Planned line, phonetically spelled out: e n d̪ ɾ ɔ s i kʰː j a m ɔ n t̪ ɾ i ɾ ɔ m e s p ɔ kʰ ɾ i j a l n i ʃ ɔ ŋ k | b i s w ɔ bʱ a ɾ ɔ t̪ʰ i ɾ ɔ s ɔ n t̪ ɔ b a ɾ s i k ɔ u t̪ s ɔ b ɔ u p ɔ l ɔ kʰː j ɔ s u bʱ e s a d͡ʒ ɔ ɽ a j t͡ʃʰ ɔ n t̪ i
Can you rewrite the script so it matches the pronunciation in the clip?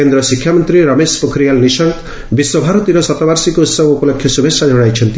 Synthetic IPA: e n d̪ ɾ ɔ s i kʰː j a m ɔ n t̪ ɾ i ɾ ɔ m e s p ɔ kʰ ɾ i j a l n i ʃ ɔ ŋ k | b i s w ɔ bʱ a ɾ ɔ t̪ i ɾ ɔ s ɔ t̪ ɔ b a ɾ s i k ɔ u t̪ s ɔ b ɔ u p ɔ l ɔ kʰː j ɔ s u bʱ e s a d͡ʒ ɔ ɽ a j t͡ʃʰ ɔ n t̪ i